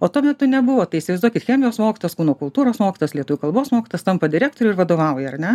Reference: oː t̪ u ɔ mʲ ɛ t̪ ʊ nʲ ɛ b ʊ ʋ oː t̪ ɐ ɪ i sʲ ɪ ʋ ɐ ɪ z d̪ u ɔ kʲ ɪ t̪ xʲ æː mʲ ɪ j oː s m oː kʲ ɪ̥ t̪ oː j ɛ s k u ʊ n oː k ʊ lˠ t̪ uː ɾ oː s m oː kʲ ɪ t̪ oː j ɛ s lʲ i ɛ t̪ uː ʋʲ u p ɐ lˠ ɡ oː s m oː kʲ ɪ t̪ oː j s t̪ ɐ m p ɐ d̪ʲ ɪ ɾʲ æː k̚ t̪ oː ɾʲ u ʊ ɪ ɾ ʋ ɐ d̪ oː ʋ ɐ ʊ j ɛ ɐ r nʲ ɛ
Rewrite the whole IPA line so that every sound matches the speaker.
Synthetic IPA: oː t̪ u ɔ mʲ ɛ t̪ ʊ nʲ ɛ b ʊ ʋ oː t̪ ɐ ɪ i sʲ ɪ ʋ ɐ ɪ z d̪ u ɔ kʲ ɪ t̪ xʲ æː mʲ ɪ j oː s m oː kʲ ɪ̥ t̪ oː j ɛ s k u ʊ n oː k ʊ lˠ t̪ uː ɾ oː s m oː kʲ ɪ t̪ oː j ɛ s lʲ i ɛ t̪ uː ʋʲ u k ɐ lˠ b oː s m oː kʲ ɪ t̪ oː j s t̪ ɐ m p ɐ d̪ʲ ɪ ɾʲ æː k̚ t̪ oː ɾʲ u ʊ ɪ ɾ ʋ ɐ d̪ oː ʋ ɐ ʊ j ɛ ɐ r nʲ ɛ